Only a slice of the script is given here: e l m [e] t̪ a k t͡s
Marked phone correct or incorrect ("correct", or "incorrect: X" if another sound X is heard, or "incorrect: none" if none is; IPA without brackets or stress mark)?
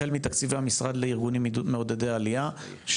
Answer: incorrect: i